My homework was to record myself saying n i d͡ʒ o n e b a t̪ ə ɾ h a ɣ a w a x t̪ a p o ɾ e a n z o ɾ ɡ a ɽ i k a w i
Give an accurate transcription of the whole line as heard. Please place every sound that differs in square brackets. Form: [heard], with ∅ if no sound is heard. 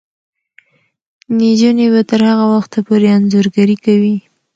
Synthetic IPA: n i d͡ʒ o n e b a t̪ ə ɾ h a ɣ a w a x t̪ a p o ɾ e a n z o ɾ ɡ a [ɾ] i k a w i